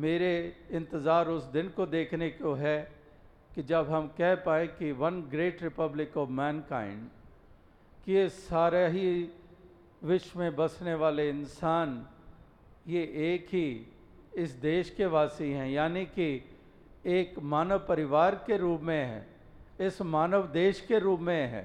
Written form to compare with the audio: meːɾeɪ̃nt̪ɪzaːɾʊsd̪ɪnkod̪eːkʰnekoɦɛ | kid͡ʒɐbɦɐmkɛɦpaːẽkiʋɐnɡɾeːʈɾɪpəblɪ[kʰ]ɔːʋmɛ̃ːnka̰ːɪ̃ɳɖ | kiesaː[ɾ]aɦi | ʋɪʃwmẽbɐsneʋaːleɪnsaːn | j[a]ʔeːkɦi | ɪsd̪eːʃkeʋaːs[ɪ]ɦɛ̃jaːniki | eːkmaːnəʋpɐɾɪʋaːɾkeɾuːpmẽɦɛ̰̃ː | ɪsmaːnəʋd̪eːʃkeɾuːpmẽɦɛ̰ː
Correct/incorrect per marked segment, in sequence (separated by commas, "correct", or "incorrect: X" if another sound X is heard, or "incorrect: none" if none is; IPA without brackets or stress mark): incorrect: k, correct, incorrect: e, incorrect: i